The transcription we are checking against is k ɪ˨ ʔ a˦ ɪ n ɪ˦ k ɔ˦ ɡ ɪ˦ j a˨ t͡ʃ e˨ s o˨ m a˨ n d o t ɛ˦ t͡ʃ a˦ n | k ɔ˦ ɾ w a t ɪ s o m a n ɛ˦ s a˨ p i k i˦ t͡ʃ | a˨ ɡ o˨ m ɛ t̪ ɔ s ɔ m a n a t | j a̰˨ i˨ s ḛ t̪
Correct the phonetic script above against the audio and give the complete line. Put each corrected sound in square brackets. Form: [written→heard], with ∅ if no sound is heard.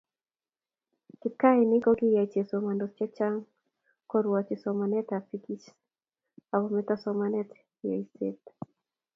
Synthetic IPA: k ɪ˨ [ʔ→k] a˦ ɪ n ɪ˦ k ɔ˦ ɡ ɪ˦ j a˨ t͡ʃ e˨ s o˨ m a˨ n d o [t→t͡ʃ] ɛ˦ t͡ʃ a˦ [n→ŋ] | k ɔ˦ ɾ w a [t→t͡ʃ] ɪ s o m a n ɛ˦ [s→t] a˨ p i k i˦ t͡ʃ | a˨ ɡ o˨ m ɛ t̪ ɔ s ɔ m a n [a→ɛ] t | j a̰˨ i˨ s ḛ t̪